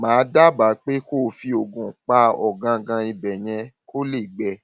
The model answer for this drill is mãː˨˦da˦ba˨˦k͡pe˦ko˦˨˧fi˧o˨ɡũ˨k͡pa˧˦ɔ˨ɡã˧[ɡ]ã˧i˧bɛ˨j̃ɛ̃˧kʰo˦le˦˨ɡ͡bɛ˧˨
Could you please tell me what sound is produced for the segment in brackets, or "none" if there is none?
ɡ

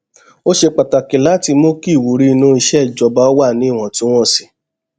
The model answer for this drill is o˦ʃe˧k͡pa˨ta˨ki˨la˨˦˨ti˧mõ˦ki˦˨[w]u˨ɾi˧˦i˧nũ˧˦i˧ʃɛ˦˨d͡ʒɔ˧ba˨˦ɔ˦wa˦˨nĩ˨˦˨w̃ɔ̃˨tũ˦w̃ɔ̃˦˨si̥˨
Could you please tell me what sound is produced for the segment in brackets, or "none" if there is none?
w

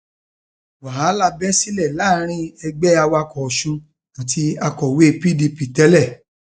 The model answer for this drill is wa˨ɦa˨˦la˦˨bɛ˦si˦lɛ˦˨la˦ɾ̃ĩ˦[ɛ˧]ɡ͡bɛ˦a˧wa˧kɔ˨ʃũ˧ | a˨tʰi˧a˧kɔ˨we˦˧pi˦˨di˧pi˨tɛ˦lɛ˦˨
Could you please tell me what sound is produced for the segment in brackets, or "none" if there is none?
ɛ˧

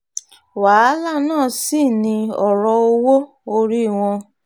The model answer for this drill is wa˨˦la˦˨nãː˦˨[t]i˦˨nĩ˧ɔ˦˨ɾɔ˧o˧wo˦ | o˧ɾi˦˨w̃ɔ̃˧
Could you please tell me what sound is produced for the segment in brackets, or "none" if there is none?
s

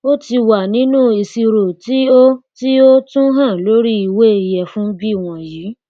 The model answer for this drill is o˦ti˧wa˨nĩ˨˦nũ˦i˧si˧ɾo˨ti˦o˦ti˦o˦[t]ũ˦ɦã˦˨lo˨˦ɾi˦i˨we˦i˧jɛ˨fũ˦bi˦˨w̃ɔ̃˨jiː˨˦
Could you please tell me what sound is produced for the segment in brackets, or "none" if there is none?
t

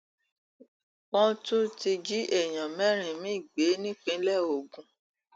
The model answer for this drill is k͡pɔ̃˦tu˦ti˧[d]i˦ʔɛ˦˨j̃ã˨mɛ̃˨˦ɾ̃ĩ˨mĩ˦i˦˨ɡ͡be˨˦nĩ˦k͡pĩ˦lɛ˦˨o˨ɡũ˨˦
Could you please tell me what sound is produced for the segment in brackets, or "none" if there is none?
d͡ʒ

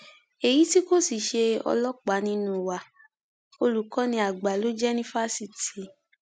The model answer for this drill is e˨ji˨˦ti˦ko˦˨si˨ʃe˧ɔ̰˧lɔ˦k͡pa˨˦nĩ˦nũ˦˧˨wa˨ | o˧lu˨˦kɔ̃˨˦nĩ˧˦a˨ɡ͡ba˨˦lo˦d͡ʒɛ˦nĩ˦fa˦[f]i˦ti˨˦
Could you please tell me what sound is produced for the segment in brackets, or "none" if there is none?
s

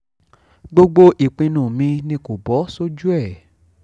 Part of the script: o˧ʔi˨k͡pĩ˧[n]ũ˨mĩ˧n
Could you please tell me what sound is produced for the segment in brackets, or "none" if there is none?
n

